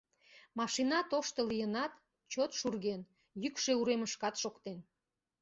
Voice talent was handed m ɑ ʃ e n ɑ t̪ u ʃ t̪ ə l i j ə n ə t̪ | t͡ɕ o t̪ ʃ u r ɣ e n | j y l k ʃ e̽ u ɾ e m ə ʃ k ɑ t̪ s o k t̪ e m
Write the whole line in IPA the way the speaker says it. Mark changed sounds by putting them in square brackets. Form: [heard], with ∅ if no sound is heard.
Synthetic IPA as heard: m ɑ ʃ [i] n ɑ t̪ [o] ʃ t̪ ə l i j ə n [ɑ] t̪ | t͡ɕ o t̪ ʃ u r ɣ e n | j y [∅] k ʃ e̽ u ɾ e m ə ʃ k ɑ t̪ [ʃ] o k t̪ e [n]